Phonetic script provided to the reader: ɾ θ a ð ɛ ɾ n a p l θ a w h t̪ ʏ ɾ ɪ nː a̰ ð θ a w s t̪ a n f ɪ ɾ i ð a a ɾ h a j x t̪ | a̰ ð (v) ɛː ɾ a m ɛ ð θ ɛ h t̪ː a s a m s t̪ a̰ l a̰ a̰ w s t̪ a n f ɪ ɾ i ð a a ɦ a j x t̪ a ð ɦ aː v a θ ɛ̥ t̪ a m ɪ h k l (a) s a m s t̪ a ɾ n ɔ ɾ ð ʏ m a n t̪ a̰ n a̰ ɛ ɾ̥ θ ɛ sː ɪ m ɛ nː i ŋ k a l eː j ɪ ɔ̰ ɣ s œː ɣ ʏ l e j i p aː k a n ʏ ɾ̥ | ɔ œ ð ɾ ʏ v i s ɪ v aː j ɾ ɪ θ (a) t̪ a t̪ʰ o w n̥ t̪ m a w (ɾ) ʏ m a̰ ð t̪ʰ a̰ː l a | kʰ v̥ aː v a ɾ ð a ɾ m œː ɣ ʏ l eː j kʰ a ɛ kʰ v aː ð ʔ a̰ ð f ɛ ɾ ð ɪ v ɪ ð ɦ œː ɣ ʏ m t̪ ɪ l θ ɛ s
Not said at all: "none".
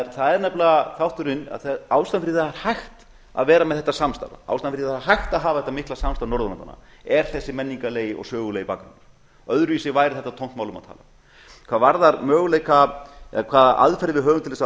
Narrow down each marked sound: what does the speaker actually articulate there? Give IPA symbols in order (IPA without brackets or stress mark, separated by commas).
v, a, ɛ, l